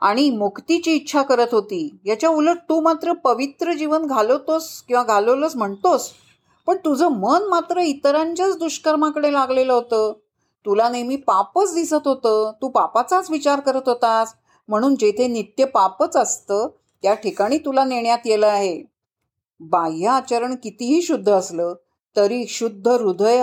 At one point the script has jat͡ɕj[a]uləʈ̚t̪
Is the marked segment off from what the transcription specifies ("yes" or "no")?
no